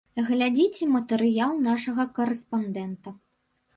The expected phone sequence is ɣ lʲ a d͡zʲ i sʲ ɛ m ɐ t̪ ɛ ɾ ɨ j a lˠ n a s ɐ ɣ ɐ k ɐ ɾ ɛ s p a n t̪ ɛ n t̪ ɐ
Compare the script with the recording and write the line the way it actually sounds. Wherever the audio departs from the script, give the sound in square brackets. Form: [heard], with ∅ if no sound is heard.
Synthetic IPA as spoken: ɣ lʲ a d͡zʲ i [t͡sʲ] ɛ m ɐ t̪ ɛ ɾ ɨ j a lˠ n a [ʂ] ɐ ɣ ɐ k ɐ ɾ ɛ s p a n [d̪] ɛ n t̪ ɐ